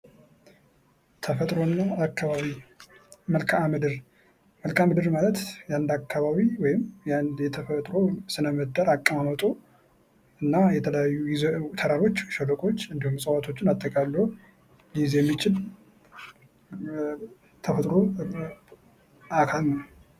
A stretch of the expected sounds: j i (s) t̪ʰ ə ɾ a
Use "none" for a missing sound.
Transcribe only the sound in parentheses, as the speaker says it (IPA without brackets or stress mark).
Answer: z